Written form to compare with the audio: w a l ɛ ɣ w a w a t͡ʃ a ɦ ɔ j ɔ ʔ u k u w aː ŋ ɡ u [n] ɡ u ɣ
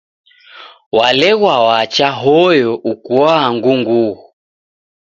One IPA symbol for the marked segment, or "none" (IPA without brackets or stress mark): ŋ